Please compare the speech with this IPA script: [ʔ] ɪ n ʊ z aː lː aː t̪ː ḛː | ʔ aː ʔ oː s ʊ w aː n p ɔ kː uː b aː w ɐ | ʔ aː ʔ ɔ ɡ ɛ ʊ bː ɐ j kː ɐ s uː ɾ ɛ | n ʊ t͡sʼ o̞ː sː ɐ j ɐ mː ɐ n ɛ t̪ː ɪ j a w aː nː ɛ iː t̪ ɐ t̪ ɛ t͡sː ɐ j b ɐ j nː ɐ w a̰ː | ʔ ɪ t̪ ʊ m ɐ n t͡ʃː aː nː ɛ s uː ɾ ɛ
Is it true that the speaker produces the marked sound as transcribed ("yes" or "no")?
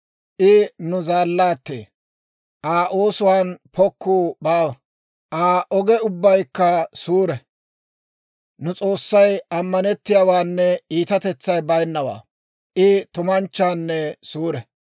yes